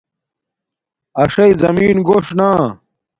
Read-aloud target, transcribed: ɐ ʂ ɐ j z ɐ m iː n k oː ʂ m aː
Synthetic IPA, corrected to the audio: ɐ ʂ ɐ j z ɐ m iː n ɡ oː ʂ n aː

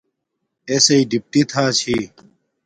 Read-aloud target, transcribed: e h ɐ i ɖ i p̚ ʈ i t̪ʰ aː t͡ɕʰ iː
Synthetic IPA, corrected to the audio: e s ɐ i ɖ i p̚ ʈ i t̪ʰ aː t͡ɕʰ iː

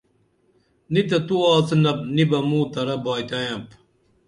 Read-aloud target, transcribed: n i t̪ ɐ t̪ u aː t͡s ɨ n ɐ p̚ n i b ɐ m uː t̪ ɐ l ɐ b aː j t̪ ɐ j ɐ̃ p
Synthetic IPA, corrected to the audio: n i t̪ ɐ t̪ u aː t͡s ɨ n ɐ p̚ n i b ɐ m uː t̪ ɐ ɾ ɐ b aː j t̪ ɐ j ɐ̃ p

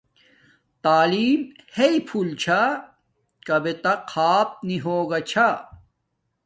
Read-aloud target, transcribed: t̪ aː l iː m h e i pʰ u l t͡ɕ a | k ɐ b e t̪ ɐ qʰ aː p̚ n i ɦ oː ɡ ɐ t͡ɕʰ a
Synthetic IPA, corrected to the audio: t̪ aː l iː m h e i pʰ u l t͡ɕʰ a | k ɐ b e t̪ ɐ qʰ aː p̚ n i ɦ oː ɡ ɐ t͡ɕʰ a

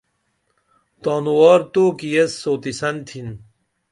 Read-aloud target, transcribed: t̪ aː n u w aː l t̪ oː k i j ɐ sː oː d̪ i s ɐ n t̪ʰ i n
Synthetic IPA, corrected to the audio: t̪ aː n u w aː ɾ t̪ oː k i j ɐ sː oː t̪ i s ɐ n t̪ʰ i n

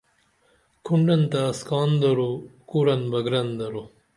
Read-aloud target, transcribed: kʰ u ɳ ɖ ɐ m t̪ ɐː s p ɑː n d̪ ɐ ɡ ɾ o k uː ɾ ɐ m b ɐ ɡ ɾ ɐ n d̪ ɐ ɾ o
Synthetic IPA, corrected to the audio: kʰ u ɳ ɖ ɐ n t̪ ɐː s k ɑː n d̪ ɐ ɾ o k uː ɾ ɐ n b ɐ ɡ ɾ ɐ n d̪ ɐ ɾ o

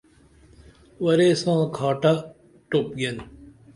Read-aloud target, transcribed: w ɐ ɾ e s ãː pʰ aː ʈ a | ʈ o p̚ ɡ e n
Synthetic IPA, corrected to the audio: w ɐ ɾ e s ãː kʰ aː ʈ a | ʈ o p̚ ɡ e n

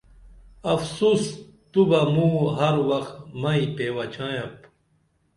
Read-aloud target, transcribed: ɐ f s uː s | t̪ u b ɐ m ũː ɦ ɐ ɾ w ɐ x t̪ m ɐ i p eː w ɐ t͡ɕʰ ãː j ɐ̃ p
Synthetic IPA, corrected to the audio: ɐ f s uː s | t̪ u b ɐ m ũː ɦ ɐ ɾ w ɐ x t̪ m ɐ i p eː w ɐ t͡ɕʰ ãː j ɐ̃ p

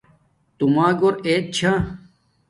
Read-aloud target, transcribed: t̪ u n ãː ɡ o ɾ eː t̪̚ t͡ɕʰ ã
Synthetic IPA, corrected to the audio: t̪ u m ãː ɡ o ɾ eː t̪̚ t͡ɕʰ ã

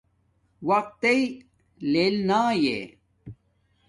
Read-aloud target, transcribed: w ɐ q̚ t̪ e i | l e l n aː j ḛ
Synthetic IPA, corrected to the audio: w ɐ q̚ t̪ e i | l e l n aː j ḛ

